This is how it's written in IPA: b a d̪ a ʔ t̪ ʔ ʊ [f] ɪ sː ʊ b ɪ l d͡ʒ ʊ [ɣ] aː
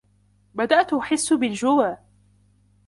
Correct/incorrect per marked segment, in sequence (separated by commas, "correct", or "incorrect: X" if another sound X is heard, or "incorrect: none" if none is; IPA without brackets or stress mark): incorrect: ħ, incorrect: w